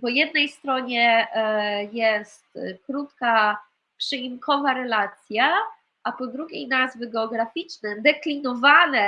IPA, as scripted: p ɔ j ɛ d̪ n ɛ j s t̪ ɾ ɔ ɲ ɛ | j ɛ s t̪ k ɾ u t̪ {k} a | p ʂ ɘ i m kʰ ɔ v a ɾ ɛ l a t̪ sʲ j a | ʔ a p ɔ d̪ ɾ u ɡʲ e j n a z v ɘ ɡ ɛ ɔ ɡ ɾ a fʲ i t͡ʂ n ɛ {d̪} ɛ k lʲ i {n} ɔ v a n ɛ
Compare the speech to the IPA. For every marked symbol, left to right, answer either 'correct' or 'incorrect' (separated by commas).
correct, correct, correct